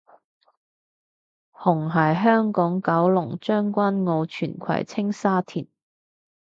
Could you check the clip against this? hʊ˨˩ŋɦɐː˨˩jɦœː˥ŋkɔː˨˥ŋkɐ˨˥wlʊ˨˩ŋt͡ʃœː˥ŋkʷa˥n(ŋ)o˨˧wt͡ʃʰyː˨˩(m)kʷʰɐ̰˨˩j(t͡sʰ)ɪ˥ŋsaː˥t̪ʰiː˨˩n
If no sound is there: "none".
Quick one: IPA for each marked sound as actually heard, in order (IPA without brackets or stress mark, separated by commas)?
ŋ, n, t͡sʰ